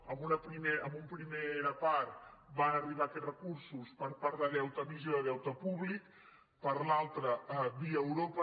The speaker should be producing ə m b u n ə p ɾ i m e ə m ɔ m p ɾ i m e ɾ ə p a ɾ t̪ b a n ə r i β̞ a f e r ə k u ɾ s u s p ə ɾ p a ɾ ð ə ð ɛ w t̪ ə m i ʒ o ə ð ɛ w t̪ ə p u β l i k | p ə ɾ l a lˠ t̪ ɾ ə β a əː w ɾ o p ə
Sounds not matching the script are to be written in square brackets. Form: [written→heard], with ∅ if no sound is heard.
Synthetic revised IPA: ə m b u n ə p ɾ i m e ə m [ɔ→u] m p ɾ i m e ɾ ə p a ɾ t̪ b a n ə r i β̞ a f e r ə k u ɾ s u s p ə ɾ p a ɾ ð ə ð ɛ w t̪ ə m i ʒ o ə ð ɛ w t̪ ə p u β l i k | p ə ɾ l a lˠ t̪ ɾ ə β [a→i] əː w ɾ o p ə